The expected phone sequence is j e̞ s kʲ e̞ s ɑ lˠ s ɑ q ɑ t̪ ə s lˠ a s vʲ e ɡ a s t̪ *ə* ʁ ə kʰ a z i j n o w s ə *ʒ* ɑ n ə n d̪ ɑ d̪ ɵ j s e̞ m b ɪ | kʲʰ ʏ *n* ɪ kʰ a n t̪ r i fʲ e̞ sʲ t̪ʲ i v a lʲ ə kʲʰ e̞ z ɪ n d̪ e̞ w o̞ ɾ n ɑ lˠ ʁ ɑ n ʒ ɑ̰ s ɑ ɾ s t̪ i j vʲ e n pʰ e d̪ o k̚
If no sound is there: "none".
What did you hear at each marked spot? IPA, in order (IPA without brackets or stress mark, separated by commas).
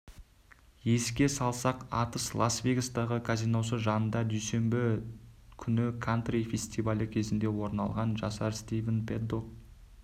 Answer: ɑ, ʒ, n